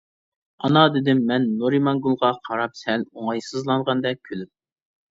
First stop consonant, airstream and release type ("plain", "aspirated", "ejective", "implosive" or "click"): plain